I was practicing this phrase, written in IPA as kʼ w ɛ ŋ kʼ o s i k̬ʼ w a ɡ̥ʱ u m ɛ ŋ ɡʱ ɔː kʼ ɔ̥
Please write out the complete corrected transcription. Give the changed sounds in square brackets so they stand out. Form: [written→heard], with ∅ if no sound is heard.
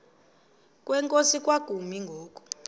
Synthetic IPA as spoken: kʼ w ɛ ŋ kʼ o s i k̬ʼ w a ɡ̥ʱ u m [ɛ→i] ŋ ɡʱ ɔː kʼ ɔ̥